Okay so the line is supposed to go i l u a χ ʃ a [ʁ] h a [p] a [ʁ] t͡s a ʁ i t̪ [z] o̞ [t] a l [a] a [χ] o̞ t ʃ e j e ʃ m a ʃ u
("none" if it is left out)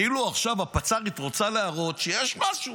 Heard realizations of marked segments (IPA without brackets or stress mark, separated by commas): v, p, none, ʁ, t͡s, e, ʁ